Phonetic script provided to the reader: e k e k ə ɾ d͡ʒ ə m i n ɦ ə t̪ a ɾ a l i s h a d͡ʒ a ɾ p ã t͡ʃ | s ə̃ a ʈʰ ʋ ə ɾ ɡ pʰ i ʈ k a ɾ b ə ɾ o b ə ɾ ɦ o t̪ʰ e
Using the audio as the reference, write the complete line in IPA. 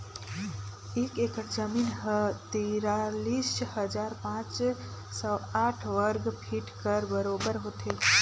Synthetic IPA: e k e k ə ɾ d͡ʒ ə m i n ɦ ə t̪ i ɾ a l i s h ə d͡ʒ a ɾ p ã t͡ʃ | s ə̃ a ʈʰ ʋ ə ɾ ɡ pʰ i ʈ k ə ɾ b ə ɾ o b ə ɾ ɦ o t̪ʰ e